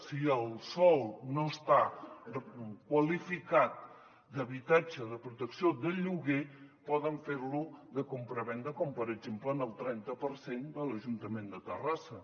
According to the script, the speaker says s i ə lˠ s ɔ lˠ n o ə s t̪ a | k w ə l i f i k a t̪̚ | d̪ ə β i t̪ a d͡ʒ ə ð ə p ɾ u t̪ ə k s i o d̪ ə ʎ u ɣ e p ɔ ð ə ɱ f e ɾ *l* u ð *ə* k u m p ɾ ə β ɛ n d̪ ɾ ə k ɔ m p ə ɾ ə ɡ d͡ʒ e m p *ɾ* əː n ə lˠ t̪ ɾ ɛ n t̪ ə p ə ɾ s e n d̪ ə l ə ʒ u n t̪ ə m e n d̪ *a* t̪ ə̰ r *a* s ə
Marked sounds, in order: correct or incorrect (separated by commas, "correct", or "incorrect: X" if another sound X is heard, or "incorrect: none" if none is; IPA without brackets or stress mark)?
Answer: correct, correct, incorrect: l, incorrect: ə, correct